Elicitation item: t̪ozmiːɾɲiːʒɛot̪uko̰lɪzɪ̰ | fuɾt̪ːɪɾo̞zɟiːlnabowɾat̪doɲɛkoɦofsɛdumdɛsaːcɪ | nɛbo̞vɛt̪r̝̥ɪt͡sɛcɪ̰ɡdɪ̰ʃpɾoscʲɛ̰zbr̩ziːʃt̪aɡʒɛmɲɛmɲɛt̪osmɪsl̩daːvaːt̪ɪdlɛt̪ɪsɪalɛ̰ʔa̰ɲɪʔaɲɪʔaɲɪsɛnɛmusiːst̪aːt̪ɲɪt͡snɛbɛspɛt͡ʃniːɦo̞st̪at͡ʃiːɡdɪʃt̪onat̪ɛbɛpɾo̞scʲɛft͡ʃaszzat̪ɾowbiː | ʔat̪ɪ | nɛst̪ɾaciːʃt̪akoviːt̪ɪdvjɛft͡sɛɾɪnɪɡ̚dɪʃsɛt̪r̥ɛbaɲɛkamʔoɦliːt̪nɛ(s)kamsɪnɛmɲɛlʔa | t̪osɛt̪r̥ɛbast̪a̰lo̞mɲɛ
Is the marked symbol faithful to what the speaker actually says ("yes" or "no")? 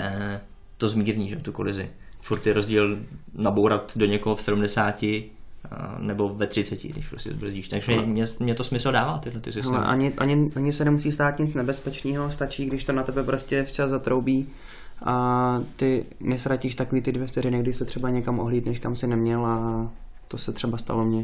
no